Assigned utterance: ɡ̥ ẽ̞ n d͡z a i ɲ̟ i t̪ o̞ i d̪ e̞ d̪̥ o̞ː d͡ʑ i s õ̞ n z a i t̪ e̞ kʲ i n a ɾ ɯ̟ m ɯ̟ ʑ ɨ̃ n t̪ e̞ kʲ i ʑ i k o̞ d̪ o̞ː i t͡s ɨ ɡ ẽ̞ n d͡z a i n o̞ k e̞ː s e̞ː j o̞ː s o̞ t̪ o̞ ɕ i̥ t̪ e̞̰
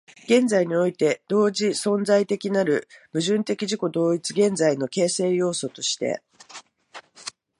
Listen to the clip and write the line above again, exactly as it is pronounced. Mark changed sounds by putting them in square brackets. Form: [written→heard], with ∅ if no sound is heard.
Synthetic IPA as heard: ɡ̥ ẽ̞ n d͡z a i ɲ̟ i [t̪→∅] o̞ i [d̪→t̪] e̞ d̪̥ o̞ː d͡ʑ i s õ̞ n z a i t̪ e̞ kʲ i n a ɾ ɯ̟ m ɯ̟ ʑ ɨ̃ n t̪ e̞ kʲ i ʑ i k o̞ d̪ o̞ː i t͡s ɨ ɡ ẽ̞ n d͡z a i n o̞ k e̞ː s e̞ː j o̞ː s o̞ t̪ o̞ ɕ i̥ t̪ e̞̰

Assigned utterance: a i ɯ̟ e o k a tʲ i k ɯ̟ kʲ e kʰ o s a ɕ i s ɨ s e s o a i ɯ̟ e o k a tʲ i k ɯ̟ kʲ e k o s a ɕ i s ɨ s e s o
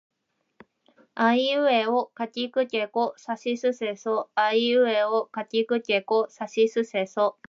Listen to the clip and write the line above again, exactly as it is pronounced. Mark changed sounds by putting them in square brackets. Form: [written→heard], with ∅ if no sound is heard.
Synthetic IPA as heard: a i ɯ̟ e o k a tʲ i k ɯ̟ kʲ e [kʰ→k] o s a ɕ i s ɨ s e s o a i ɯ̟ e o k a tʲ i k ɯ̟ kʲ e k o s a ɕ i s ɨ s e s o

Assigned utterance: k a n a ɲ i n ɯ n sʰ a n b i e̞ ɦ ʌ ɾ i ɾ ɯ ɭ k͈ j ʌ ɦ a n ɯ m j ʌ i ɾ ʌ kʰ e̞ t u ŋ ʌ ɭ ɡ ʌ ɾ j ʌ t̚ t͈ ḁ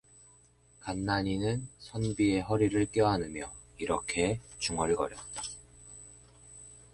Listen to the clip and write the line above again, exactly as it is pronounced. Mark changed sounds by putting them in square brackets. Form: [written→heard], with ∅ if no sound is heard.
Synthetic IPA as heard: k a [n→nː] a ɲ i n ɯ n sʰ [a→ʌ] n b i e̞ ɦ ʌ ɾ i ɾ ɯ ɭ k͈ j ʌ ɦ a n ɯ m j ʌ i ɾ ʌ kʰ e̞ [t→t͡ɕ] u ŋ ʌ ɭ ɡ ʌ ɾ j ʌ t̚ t͈ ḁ

